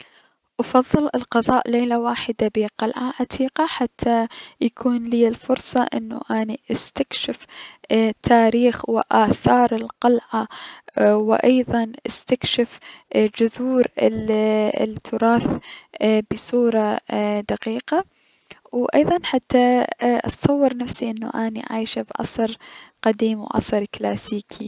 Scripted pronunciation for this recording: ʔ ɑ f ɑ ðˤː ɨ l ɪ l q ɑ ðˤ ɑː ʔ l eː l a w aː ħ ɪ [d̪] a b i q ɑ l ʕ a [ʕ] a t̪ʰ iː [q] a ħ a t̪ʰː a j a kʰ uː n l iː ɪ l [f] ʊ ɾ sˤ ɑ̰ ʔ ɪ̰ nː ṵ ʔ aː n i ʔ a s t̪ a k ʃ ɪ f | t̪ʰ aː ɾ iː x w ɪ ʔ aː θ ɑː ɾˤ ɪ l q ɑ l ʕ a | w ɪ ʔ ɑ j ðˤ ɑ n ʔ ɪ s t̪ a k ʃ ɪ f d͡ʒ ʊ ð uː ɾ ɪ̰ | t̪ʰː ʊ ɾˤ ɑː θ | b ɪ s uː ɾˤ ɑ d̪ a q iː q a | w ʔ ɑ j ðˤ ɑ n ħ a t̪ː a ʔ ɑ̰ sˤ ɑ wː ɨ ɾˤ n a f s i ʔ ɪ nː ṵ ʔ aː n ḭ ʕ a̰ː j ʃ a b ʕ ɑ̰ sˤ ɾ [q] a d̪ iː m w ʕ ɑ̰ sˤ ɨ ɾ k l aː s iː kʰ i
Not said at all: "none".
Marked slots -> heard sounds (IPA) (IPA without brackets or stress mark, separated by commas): d̪, ʕ, q, f, q